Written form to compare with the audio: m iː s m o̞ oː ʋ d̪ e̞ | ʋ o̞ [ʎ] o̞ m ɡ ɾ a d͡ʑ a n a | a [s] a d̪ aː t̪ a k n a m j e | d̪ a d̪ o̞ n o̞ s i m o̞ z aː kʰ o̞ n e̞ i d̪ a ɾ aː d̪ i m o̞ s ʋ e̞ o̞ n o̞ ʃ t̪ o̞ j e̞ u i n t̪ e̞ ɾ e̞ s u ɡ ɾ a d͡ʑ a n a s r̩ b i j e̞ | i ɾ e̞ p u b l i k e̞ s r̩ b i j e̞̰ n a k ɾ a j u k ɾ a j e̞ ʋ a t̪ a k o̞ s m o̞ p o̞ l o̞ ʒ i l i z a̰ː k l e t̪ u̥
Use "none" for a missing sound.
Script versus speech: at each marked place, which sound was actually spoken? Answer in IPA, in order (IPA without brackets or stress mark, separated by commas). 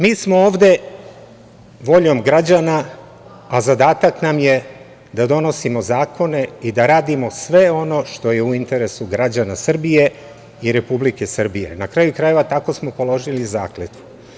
ʎ, z